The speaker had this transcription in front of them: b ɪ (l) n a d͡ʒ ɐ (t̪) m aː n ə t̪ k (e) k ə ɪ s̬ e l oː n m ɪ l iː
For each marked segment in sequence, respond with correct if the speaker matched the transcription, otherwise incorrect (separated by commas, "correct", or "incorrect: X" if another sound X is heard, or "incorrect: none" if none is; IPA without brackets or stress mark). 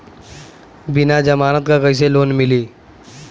incorrect: none, incorrect: none, incorrect: a